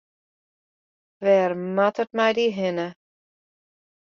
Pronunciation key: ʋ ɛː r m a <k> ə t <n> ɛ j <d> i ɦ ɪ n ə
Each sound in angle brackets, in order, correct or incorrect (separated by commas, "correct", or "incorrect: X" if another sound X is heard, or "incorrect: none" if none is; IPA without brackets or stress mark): incorrect: t, incorrect: m, correct